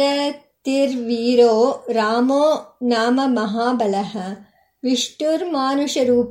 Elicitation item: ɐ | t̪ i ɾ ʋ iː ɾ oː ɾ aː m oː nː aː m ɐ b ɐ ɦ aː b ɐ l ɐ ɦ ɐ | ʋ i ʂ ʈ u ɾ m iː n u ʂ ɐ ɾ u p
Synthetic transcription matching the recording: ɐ | t̪ i ɾ ʋ iː ɾ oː ɾ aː m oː n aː m ɐ m ɐ ɦ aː b ɐ l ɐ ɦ ɐ | ʋ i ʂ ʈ u ɾ m aː n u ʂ ɐ ɾ uː p